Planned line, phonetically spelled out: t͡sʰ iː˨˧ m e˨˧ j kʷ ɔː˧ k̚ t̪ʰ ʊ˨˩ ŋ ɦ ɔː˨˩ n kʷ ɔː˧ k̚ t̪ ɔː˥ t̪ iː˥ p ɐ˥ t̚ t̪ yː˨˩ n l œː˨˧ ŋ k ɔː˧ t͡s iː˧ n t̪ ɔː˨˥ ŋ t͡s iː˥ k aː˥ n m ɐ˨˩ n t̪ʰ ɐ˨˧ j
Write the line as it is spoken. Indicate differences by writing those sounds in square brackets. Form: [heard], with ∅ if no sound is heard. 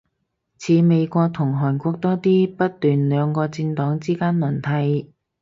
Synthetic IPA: t͡sʰ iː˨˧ m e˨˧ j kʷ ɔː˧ k̚ t̪ʰ ʊ˨˩ ŋ ɦ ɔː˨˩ n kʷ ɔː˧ k̚ t̪ ɔː˥ t̪ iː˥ p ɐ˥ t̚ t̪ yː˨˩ n l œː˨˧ ŋ k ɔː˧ t͡s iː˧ n t̪ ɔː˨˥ ŋ t͡s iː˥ k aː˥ n m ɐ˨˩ n t̪ʰ ɐ˨˧ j

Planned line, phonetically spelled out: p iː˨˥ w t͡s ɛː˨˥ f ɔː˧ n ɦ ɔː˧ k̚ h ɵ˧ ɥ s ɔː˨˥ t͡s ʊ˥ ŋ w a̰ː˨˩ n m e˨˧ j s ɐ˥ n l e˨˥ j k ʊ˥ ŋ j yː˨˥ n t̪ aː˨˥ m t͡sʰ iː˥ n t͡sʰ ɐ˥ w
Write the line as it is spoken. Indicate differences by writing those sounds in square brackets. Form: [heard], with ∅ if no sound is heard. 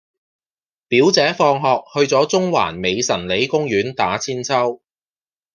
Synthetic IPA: p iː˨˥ w t͡s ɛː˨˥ f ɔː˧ [ŋ] ɦ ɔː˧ k̚ h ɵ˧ ɥ [t͡s] ɔː˨˥ t͡s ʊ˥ ŋ w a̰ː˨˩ n m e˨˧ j s [ɐ˨˩] n l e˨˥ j k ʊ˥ ŋ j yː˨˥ n t̪ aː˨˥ [∅] t͡sʰ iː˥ n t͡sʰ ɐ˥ w

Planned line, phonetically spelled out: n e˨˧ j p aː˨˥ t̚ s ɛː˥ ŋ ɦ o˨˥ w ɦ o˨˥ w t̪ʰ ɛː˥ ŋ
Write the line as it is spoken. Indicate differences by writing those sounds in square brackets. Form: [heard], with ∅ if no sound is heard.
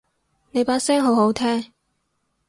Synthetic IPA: n e˨˧ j p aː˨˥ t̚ s ɛː˥ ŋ ɦ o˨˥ w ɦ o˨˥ w t̪ʰ ɛː˥ ŋ

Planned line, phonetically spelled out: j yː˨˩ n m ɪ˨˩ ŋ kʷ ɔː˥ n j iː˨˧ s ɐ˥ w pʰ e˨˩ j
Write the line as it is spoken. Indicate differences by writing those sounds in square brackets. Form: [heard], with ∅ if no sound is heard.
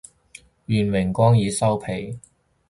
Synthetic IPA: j yː˨˩ n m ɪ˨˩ ŋ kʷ ɔː˥ [ŋ] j iː˨˧ s ɐ˥ w pʰ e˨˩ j

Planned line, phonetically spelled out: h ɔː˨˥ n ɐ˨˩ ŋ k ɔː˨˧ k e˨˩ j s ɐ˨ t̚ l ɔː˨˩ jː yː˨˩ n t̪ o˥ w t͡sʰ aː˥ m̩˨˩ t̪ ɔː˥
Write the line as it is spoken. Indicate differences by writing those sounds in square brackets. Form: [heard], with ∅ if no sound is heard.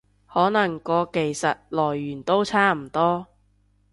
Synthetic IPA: h ɔː˨˥ n ɐ˨˩ ŋ k ɔː˨˧ k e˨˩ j s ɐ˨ t̚ l ɔː˨˩ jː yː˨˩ n t̪ o˥ w t͡sʰ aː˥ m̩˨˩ t̪ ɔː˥

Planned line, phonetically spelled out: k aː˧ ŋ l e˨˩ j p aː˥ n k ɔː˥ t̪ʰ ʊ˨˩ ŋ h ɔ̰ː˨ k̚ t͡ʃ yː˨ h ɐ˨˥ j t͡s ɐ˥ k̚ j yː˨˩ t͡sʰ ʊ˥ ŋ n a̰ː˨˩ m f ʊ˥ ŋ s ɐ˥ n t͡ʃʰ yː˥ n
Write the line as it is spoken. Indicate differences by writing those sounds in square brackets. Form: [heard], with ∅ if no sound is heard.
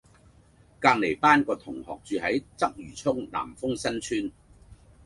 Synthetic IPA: k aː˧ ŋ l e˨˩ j p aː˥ n k [ɔː˧] t̪ʰ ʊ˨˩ ŋ h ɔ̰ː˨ k̚ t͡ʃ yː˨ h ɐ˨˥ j t͡s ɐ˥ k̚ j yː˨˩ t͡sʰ ʊ˥ ŋ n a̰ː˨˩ m f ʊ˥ ŋ s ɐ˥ n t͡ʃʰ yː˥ n

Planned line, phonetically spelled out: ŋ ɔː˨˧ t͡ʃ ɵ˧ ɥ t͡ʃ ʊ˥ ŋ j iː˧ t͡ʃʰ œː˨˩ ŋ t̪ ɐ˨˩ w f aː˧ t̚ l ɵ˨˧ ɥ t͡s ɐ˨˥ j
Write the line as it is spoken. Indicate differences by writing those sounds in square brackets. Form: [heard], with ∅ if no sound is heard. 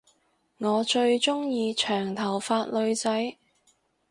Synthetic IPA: ŋ ɔː˨˧ t͡ʃ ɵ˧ ɥ t͡ʃ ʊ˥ ŋ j iː˧ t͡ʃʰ œː˨˩ ŋ [t̪ʰ] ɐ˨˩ w f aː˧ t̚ l ɵ˨˧ ɥ t͡s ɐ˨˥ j

